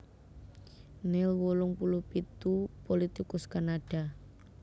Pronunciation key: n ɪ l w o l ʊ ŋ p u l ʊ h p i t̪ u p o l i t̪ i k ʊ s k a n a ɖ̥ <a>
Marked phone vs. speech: correct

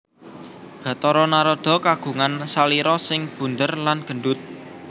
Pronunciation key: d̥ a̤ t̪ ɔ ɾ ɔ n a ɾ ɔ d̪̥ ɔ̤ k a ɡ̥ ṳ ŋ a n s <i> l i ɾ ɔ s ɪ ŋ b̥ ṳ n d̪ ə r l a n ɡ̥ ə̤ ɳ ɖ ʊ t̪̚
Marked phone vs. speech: incorrect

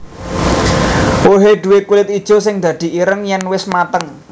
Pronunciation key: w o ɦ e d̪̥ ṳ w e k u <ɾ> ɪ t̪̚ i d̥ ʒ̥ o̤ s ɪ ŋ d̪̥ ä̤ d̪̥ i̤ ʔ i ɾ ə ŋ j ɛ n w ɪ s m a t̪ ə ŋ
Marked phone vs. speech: incorrect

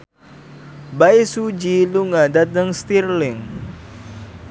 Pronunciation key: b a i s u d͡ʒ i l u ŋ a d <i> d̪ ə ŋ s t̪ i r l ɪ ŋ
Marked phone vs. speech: incorrect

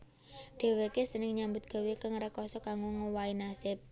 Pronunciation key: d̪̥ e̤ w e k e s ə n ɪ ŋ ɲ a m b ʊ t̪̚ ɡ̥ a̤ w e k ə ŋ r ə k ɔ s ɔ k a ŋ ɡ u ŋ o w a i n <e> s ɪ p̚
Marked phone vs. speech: incorrect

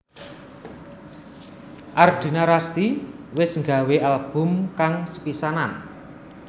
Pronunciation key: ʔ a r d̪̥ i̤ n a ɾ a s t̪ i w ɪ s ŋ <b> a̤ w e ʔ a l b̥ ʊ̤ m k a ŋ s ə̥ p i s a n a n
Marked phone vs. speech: incorrect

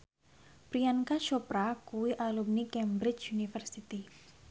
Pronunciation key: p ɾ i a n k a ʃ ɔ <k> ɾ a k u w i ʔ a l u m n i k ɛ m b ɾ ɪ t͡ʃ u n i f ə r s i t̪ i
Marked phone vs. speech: incorrect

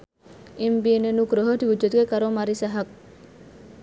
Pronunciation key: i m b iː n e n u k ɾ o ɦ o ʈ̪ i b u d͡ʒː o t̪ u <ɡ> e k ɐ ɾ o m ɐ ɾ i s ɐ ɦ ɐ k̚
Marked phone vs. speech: correct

